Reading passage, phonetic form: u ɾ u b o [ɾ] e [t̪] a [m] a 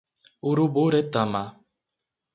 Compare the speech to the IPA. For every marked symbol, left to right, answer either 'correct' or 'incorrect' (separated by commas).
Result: correct, correct, correct